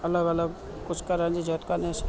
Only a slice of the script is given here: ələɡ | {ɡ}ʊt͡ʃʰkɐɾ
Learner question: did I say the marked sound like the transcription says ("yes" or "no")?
no